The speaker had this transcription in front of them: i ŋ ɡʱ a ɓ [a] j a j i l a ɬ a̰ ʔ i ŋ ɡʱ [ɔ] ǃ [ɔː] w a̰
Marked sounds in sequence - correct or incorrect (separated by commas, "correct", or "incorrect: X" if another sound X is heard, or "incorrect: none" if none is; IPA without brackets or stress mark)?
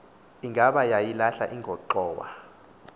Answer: correct, correct, correct